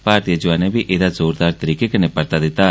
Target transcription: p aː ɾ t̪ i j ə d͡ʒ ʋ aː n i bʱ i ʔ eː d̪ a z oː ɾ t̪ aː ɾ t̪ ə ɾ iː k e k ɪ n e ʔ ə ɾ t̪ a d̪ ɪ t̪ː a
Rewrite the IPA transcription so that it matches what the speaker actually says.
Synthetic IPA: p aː ɾ t̪ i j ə d͡ʒ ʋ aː n e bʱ i ʔ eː d̪ a z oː ɾ d̪ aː ɾ t̪ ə ɾ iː k e k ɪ n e p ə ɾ t̪ a d̪ ɪ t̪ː a